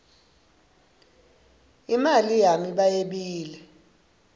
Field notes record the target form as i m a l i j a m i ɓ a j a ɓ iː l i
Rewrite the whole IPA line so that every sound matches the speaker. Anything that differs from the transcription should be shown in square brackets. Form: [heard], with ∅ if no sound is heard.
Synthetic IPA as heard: i m a l i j a m i ɓ a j [e] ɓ iː l [ɛ]